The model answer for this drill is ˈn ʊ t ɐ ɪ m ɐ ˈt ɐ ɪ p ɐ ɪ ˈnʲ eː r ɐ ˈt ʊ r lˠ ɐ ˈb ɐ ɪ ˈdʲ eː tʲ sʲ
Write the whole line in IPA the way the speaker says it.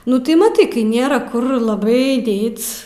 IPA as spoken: ˈn ʊ t ɐ ɪ m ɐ ˈt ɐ ɪ k ɐ ɪ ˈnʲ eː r ɐ ˈk ʊ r lˠ ɐ ˈb ɐ ɪ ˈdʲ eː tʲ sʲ